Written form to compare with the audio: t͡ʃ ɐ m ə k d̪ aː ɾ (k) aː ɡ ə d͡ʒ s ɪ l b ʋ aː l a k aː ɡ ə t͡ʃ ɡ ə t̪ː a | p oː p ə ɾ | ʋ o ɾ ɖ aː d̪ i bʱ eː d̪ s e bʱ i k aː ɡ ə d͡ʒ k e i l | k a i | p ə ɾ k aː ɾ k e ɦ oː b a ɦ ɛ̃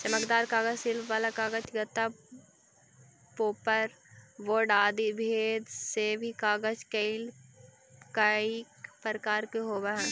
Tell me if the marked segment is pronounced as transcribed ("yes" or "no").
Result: yes